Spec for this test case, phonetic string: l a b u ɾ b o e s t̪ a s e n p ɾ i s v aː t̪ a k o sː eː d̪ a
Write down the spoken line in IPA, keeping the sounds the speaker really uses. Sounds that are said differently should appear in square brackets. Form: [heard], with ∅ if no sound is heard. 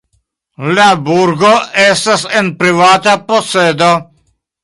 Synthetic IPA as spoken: l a b u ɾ [ɡ] o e s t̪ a s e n p ɾ i [∅] v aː t̪ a [p] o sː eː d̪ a